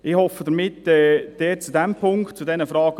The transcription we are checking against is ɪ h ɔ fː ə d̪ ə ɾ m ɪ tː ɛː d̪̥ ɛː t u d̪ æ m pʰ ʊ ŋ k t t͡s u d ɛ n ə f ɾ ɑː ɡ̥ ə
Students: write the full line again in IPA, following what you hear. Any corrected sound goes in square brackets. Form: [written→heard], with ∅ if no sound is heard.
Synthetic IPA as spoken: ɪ h ɔ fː ə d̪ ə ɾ m ɪ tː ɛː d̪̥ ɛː [t→t͡s] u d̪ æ m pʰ ʊ ŋ k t t͡s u d ɛ n ə f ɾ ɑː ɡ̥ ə